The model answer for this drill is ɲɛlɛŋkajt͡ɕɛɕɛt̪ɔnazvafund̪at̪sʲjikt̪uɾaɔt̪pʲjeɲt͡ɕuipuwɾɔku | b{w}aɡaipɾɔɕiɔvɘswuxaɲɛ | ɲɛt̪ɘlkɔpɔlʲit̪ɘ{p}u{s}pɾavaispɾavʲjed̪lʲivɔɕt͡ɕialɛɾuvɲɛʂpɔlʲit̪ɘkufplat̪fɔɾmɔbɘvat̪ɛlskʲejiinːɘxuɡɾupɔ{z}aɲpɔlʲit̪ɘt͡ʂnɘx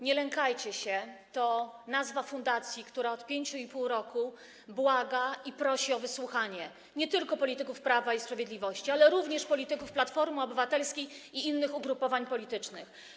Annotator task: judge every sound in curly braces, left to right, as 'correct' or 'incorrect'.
correct, incorrect: k, incorrect: f, incorrect: v

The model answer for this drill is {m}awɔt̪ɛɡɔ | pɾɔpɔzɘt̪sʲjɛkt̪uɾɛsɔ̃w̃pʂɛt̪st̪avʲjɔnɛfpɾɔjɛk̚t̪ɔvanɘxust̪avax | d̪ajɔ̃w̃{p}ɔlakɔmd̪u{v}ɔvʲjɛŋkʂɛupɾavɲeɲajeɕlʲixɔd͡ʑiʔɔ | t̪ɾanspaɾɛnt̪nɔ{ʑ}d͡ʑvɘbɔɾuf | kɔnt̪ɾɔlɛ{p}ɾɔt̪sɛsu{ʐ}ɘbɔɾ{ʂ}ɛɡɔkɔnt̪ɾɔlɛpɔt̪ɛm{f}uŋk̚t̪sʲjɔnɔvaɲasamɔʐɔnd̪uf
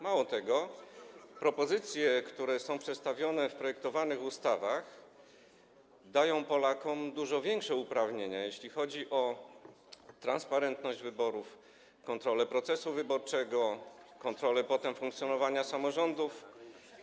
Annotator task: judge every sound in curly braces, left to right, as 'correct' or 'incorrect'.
correct, correct, incorrect: ʐ, correct, correct, incorrect: v, incorrect: t͡ʂ, correct

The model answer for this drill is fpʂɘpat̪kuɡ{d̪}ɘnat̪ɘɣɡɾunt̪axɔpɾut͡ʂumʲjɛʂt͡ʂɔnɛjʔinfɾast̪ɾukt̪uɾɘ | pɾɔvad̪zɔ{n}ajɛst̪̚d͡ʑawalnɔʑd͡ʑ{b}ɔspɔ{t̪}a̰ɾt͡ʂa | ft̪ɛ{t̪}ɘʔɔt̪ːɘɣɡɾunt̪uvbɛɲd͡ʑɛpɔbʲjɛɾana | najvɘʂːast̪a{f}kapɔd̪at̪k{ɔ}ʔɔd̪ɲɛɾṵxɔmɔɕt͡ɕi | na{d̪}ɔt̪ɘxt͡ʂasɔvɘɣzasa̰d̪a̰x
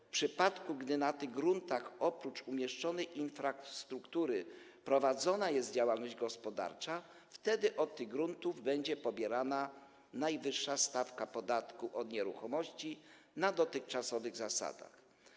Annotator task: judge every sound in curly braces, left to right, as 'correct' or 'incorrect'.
correct, correct, incorrect: ɡ, incorrect: d̪, incorrect: d̪, correct, incorrect: u, correct

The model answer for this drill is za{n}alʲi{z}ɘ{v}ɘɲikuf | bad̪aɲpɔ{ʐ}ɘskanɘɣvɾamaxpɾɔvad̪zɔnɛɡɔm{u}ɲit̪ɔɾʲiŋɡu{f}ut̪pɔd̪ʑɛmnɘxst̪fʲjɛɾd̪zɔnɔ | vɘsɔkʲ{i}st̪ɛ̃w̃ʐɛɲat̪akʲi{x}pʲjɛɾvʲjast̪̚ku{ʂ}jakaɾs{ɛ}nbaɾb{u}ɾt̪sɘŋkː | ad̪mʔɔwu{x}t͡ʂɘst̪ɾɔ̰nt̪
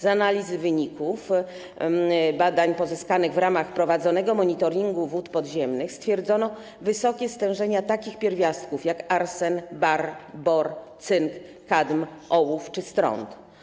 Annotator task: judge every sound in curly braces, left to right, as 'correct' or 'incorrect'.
correct, correct, correct, incorrect: z, incorrect: ɔ, incorrect: v, incorrect: ɛ, correct, incorrect: f, correct, incorrect: ɔ, incorrect: f

